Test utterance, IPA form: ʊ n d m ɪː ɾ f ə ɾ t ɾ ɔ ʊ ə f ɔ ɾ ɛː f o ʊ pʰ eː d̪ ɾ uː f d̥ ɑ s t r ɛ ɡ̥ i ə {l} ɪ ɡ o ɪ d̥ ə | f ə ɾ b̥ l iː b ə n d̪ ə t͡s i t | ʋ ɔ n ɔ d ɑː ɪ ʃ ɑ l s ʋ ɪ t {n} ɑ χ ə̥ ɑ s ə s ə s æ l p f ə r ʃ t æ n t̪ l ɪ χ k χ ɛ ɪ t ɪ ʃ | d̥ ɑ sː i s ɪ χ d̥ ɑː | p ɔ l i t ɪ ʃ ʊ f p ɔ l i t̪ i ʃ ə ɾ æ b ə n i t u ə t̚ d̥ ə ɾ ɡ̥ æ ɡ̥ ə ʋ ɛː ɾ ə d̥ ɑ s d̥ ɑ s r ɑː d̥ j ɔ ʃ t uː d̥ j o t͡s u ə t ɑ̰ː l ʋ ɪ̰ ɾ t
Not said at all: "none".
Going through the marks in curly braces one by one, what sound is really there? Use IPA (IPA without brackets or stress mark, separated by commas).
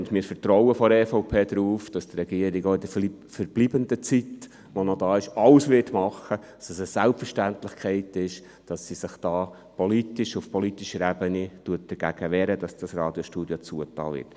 ɾ, m